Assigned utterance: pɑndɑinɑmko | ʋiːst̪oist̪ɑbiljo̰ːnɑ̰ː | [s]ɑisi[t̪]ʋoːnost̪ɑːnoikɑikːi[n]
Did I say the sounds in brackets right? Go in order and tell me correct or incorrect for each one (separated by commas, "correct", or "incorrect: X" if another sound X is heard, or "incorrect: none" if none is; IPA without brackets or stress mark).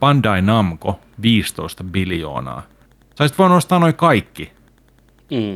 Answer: correct, correct, incorrect: none